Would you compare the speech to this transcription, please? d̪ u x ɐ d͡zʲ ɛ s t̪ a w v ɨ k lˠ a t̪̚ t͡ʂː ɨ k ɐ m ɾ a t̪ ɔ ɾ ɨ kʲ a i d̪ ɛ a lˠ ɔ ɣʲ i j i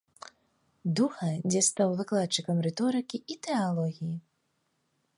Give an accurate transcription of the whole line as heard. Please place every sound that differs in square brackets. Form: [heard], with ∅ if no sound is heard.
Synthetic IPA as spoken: d̪ u x ɐ d͡zʲ ɛ s t̪ a w v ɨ k lˠ a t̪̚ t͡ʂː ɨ k ɐ m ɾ [ɛ] t̪ ɔ ɾ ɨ kʲ [i] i [t̪] ɛ a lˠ ɔ ɣʲ i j i